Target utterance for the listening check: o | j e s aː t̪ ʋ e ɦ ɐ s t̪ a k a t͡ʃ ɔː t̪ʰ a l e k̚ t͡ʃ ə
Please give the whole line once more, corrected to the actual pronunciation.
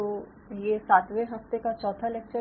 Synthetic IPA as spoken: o | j e s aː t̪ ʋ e ɦ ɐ f t̪ e k a t͡ʃ ɔː t̪ʰ a l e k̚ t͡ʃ ə